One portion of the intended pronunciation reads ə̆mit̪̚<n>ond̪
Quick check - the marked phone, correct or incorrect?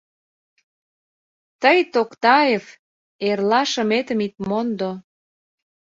incorrect